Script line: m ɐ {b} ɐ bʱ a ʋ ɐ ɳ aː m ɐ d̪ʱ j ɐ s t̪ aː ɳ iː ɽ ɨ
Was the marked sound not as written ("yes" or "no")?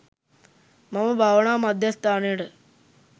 yes